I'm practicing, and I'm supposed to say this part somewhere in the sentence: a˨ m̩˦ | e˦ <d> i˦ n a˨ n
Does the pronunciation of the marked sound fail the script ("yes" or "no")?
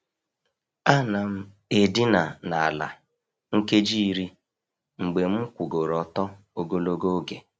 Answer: no